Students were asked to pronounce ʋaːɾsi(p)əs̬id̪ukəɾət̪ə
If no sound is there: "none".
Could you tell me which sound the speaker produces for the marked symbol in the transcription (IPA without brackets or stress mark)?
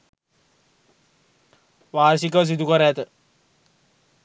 k